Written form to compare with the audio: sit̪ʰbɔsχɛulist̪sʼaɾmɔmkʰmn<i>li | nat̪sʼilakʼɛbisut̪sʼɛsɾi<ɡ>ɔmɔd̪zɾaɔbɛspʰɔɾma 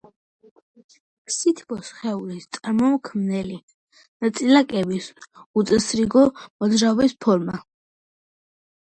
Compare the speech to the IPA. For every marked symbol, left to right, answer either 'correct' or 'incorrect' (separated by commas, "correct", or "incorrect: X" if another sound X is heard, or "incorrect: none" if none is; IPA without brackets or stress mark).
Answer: incorrect: ɛ, correct